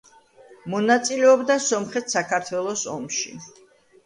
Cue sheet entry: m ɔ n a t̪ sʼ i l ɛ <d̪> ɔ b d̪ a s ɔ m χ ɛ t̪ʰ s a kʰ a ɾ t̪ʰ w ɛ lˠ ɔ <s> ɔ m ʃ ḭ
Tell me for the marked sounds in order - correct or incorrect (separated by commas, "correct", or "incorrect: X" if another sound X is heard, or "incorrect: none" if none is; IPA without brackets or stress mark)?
incorrect: none, correct